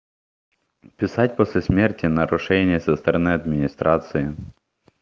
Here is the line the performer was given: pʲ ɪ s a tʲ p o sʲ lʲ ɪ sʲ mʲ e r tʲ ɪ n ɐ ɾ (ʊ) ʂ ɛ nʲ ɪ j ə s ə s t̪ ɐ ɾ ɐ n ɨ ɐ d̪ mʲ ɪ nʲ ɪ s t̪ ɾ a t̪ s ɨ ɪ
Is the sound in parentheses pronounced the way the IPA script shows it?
yes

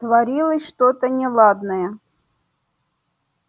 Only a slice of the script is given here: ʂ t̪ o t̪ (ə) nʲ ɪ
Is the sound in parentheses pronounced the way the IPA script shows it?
yes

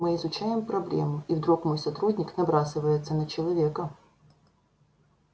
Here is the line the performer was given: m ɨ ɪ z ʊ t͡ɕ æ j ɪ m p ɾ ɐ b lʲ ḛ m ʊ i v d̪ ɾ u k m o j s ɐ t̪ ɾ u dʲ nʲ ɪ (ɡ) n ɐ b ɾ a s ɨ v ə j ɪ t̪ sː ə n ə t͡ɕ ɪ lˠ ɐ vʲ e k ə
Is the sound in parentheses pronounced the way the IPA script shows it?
no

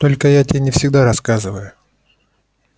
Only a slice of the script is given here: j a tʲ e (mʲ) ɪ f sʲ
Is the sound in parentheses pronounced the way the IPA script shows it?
no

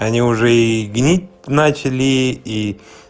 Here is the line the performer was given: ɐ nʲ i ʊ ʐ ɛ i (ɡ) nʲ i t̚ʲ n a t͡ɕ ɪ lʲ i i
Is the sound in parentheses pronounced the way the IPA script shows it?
yes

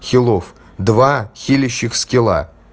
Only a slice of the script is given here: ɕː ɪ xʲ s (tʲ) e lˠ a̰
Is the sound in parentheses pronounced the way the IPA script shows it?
no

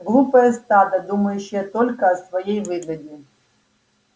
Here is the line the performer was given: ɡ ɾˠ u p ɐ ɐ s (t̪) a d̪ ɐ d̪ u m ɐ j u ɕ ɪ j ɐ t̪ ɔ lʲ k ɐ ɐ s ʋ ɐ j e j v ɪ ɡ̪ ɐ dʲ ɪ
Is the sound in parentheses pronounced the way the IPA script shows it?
yes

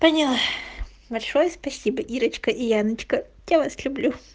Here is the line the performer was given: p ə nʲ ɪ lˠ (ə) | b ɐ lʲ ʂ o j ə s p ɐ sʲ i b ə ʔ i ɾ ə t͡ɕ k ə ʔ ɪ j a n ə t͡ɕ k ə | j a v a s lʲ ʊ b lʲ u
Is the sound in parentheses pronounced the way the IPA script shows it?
no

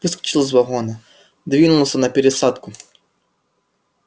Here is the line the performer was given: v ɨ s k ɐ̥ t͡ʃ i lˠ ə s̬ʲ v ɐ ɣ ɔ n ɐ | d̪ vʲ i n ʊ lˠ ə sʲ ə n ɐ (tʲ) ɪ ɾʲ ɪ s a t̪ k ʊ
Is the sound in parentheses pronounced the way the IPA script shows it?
no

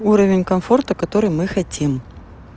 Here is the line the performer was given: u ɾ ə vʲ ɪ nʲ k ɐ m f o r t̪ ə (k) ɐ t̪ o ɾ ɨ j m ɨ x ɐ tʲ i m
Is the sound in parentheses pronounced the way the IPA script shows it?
yes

